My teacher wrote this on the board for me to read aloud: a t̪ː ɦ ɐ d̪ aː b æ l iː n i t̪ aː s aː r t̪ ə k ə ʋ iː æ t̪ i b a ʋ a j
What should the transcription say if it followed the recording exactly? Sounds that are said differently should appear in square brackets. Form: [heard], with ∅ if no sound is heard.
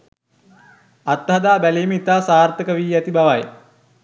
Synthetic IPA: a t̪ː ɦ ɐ d̪ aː b æ l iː [m] i t̪ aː s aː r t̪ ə k ə ʋ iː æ t̪ i b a ʋ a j